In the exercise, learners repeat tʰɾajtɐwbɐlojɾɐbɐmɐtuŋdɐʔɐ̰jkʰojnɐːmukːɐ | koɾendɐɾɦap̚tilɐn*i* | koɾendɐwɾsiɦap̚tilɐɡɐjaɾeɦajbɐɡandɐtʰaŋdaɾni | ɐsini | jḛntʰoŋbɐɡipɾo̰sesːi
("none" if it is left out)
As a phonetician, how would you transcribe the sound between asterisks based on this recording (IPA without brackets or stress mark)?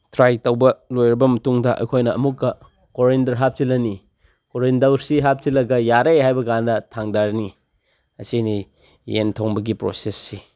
i